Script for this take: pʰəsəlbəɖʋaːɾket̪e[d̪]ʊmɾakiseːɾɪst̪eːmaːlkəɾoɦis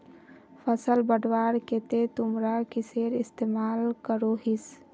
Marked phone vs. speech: incorrect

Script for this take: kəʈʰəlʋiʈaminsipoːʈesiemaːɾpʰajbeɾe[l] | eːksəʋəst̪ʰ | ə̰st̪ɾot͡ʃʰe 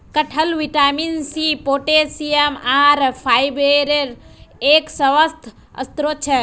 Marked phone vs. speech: incorrect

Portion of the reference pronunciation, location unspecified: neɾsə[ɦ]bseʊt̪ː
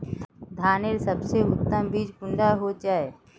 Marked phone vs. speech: incorrect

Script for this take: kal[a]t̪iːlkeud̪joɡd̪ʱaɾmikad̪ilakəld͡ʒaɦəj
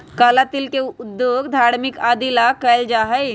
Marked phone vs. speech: correct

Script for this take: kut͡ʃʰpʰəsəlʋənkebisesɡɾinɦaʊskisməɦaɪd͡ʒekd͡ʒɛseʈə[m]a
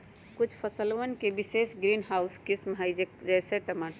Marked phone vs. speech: correct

